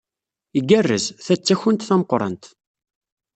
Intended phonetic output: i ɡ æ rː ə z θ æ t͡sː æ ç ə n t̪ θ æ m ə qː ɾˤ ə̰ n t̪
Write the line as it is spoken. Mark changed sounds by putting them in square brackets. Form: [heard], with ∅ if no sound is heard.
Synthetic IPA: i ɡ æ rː ə z θ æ t͡sː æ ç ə n t̪ θ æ m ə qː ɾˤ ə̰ n t̪